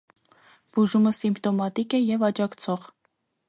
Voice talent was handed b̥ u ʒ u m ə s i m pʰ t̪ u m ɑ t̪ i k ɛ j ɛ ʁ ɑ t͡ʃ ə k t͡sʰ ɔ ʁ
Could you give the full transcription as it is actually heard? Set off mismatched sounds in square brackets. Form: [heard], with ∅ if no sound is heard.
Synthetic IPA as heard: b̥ u ʒ u m ə s i m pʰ t̪ [ɔ] m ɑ t̪ i k ɛ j ɛ [v] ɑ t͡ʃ [ɑ] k t͡sʰ ɔ ʁ